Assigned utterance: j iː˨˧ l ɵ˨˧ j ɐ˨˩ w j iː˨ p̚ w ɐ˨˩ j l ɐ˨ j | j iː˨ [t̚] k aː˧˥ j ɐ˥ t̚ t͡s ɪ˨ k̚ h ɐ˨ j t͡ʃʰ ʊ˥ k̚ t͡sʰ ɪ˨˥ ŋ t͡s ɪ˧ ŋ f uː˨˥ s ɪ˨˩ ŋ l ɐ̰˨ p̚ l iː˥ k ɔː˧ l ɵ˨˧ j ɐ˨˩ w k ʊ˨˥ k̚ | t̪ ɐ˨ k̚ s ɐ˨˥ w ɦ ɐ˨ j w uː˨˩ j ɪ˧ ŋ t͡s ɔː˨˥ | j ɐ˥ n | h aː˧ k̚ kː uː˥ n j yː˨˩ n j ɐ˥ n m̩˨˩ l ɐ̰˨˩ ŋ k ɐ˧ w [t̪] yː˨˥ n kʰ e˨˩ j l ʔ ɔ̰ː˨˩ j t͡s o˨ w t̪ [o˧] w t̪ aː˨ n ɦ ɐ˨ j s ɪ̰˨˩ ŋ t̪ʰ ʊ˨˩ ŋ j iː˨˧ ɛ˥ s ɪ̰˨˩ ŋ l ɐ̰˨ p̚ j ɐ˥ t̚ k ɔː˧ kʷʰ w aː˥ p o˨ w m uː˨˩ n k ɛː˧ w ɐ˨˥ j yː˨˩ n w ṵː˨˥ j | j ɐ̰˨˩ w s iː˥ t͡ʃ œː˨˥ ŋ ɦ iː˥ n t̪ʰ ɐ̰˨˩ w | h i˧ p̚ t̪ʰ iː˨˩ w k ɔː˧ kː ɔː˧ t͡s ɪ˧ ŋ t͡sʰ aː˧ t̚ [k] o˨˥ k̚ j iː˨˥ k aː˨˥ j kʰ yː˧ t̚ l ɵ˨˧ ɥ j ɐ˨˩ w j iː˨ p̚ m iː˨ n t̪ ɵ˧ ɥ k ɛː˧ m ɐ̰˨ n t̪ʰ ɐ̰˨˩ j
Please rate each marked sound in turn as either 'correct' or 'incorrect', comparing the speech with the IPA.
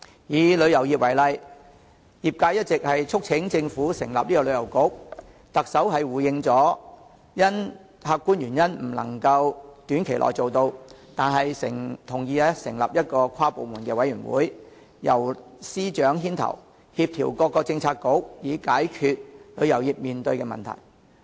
incorrect: p̚, correct, correct, correct

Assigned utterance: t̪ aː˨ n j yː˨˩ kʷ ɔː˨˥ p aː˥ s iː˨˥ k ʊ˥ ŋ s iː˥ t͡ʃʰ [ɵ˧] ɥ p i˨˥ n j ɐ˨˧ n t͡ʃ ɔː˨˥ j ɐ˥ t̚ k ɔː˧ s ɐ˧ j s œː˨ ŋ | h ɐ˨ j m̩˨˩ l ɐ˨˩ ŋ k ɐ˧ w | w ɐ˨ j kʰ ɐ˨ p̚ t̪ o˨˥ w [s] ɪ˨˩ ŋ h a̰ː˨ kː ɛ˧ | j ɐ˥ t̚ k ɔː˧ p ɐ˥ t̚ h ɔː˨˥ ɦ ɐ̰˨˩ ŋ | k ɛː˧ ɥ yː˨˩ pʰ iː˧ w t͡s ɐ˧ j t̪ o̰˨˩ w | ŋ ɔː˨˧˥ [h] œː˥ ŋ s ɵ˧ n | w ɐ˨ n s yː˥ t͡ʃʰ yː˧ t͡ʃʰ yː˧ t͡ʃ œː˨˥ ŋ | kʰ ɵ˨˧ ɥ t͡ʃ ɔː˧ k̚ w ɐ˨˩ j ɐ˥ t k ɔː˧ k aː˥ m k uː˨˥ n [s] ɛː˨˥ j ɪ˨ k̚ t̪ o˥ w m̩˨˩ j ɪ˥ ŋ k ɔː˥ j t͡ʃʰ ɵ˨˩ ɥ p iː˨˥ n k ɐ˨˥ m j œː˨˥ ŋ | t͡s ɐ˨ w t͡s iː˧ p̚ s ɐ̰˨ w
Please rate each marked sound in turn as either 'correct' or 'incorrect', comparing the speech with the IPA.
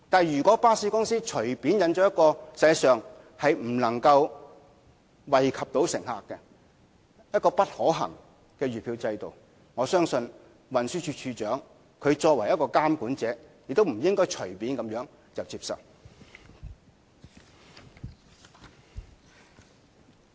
incorrect: ɵ˨˩, correct, incorrect: s, incorrect: t͡s

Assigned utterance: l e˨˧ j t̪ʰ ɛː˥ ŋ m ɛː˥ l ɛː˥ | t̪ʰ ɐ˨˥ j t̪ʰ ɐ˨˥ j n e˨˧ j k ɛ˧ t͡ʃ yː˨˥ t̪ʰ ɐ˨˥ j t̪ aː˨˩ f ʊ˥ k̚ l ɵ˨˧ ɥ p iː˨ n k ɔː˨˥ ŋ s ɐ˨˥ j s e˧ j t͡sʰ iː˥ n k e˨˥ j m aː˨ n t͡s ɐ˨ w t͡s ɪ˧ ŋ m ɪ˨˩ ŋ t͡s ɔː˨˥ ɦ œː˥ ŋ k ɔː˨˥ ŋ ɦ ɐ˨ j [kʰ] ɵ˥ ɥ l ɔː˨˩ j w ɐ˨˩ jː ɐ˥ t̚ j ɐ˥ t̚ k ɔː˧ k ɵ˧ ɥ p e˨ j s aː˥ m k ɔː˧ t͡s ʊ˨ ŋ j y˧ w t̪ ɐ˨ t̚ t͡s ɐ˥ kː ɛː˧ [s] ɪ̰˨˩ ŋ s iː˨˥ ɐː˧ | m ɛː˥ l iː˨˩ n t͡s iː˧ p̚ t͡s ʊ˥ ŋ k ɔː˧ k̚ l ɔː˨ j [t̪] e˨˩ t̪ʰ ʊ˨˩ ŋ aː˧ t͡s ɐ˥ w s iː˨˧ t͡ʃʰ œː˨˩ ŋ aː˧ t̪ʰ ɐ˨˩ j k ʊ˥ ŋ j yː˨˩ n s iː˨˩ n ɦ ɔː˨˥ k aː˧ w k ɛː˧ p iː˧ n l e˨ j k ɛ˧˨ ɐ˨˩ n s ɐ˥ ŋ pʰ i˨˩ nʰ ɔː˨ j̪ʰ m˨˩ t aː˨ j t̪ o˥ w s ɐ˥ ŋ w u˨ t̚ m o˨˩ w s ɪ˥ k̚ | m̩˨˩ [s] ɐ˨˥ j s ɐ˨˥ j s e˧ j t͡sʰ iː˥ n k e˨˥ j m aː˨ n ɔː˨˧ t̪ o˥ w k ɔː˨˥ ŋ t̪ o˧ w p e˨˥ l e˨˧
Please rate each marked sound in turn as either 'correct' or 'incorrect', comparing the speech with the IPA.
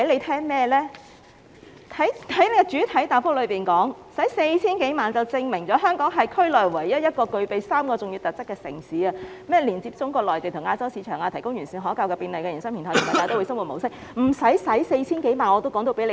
correct, correct, correct, correct

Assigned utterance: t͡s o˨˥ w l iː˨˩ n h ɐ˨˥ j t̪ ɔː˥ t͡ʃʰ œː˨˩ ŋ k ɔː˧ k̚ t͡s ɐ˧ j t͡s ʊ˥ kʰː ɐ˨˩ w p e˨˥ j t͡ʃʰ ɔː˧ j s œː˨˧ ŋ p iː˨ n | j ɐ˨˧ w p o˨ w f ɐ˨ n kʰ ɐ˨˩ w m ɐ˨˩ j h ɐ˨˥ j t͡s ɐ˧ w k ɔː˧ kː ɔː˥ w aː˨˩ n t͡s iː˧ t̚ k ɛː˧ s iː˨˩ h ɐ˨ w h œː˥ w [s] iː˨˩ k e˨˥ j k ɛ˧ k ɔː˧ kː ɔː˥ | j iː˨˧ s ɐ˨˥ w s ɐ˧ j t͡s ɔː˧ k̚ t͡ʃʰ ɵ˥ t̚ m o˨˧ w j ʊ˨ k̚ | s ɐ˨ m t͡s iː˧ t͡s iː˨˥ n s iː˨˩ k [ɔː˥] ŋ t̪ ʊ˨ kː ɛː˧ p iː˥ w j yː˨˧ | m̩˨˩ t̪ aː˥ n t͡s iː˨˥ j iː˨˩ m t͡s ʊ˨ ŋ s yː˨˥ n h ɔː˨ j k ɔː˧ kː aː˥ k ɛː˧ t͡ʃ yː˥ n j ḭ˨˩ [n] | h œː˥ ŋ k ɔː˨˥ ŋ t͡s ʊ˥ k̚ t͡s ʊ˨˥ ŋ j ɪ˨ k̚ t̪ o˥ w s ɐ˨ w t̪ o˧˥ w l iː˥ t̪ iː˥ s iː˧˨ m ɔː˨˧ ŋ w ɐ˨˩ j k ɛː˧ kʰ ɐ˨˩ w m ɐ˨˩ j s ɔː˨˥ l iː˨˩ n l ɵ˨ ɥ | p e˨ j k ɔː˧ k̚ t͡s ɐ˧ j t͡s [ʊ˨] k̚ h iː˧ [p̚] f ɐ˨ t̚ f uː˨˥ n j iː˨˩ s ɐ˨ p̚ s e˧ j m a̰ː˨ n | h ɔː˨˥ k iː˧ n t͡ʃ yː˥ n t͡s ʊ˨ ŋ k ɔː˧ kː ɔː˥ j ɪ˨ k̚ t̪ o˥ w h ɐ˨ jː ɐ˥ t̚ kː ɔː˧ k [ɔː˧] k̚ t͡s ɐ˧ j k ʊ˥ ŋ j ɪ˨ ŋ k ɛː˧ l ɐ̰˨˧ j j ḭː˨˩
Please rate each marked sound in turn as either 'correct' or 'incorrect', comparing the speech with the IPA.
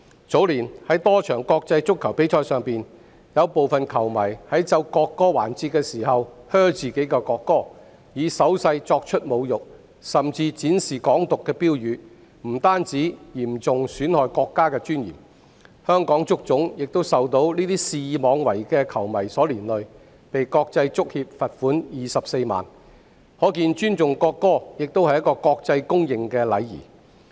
incorrect: t͡s, incorrect: ɔː˨˥, incorrect: m, incorrect: ʊ˥, correct, correct

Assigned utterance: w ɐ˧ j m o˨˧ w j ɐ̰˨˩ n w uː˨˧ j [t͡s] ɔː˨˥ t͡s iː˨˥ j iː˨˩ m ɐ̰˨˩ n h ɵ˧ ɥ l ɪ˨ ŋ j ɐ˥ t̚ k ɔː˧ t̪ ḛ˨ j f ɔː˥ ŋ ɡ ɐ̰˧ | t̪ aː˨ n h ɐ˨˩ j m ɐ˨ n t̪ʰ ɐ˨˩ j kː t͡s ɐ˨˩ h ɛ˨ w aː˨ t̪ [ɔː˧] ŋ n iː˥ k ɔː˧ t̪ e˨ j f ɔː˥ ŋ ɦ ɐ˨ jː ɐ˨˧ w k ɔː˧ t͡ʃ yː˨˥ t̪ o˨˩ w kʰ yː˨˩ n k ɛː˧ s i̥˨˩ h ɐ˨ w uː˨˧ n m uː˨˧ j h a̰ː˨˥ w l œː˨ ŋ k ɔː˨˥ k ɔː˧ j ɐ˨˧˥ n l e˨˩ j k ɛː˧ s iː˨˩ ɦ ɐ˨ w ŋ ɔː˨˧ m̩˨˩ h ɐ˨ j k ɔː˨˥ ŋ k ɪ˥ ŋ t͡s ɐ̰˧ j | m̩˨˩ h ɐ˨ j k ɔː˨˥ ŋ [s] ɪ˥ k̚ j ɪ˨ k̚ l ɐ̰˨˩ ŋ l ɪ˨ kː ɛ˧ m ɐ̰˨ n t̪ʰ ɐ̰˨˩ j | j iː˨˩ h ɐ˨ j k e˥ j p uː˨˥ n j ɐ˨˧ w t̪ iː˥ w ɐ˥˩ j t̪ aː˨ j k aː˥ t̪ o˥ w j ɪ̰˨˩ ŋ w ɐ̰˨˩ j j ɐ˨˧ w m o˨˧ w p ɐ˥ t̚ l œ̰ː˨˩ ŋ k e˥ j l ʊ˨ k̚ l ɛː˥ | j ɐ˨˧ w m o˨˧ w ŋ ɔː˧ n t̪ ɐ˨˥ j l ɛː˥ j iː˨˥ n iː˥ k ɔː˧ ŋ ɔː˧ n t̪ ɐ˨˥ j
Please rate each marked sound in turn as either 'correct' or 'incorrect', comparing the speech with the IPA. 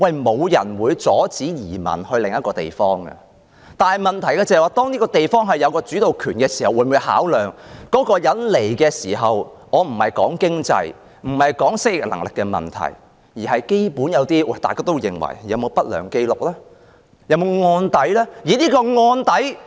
correct, incorrect: ɔː˥, correct

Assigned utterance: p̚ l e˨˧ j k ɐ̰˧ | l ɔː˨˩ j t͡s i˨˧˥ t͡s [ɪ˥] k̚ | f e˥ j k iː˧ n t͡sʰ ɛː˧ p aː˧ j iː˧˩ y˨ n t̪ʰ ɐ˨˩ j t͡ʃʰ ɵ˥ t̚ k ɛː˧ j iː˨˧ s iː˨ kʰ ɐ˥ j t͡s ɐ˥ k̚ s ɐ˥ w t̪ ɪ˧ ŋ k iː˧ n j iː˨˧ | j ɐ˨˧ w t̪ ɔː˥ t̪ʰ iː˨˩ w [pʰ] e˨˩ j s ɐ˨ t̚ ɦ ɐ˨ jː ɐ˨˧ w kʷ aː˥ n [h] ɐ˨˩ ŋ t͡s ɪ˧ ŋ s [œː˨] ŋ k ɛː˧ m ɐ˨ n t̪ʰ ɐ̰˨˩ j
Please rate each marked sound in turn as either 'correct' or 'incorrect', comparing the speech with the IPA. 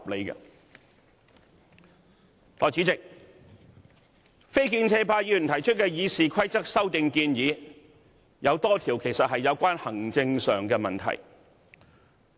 incorrect: ɪ˨, incorrect: kʰ, correct, correct

